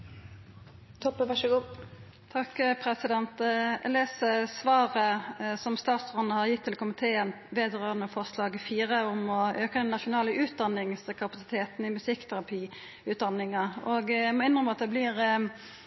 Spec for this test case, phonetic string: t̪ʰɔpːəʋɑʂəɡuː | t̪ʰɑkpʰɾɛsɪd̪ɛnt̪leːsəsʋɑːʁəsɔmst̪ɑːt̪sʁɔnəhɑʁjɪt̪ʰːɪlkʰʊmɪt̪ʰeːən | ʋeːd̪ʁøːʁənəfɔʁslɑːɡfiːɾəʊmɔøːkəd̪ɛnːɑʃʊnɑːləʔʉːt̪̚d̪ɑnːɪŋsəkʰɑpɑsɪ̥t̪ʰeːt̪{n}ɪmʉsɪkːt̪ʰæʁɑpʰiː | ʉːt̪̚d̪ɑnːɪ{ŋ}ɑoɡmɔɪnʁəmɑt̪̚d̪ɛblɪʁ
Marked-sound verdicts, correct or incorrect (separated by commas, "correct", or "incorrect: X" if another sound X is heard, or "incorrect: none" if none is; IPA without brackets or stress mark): correct, correct